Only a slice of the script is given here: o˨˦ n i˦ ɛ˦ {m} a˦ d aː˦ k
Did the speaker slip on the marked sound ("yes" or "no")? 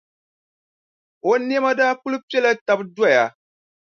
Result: no